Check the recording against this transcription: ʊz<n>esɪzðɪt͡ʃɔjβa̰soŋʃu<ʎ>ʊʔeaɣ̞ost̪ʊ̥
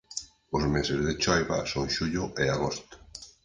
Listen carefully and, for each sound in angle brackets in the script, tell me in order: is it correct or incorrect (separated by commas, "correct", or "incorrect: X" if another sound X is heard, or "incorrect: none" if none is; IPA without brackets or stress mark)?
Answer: incorrect: m, correct